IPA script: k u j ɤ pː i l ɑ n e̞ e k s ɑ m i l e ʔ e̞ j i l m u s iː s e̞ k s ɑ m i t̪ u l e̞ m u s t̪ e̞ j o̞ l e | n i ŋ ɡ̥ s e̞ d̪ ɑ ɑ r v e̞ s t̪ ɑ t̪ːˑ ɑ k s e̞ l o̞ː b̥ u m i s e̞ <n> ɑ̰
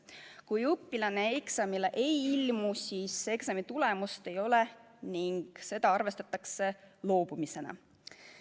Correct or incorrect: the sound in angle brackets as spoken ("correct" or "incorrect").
correct